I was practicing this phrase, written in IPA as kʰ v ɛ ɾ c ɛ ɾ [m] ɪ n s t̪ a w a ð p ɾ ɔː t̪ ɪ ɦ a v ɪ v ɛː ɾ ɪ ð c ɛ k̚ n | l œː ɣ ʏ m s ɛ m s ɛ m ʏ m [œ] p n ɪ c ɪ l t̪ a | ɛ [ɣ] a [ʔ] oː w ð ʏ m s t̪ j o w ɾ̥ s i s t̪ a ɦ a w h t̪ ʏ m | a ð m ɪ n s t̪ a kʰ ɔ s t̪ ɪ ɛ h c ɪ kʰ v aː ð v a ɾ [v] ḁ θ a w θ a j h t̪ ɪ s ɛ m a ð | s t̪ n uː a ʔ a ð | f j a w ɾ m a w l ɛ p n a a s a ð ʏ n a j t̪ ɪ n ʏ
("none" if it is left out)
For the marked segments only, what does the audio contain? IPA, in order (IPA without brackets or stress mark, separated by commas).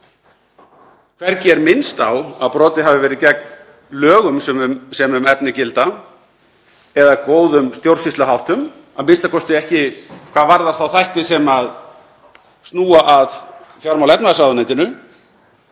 m, ɛ, ð, k, ð